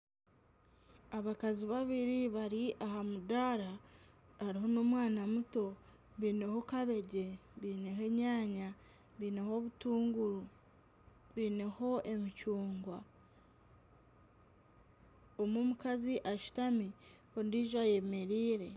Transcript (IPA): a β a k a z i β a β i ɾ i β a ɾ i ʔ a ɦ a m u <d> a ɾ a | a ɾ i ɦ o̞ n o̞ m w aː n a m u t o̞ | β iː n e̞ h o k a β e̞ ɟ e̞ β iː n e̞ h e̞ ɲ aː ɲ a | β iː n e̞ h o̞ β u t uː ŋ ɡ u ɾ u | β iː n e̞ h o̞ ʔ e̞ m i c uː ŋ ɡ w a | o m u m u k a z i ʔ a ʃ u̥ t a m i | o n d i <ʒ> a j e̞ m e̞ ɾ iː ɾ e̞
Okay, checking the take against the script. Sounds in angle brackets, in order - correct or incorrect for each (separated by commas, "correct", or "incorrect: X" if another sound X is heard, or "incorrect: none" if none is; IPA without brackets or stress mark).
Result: correct, correct